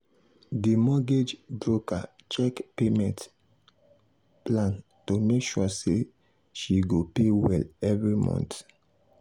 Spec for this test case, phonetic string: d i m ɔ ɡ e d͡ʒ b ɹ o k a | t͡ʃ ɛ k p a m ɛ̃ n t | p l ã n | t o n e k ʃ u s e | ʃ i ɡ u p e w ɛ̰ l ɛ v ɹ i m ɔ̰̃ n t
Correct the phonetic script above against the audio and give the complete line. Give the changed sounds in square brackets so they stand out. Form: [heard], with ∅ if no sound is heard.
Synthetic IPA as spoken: d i m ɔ ɡ e d͡ʒ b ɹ o k a | t͡ʃ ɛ k p [e] m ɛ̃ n t | p l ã n | t o [m] e k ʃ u s e | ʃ i ɡ [o] p e w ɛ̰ l ɛ v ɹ i m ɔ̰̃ n t